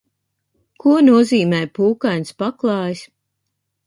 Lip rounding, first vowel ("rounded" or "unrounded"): rounded